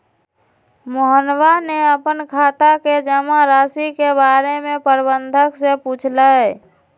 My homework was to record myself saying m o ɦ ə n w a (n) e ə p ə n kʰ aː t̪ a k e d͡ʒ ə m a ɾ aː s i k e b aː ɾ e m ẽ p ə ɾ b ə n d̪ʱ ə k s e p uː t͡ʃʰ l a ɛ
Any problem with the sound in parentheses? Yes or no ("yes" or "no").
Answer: no